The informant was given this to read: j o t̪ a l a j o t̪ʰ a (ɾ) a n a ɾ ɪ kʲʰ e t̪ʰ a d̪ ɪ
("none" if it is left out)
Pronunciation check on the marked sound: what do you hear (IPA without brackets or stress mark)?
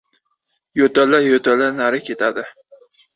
l